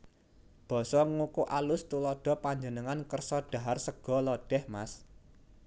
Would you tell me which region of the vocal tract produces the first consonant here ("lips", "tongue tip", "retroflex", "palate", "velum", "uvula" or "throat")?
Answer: lips